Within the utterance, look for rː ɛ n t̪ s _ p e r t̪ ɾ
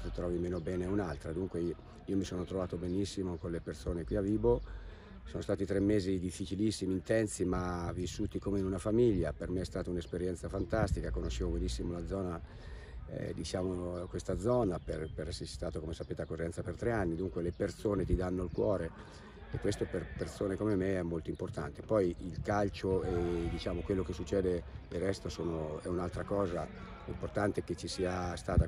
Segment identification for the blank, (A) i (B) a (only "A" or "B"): B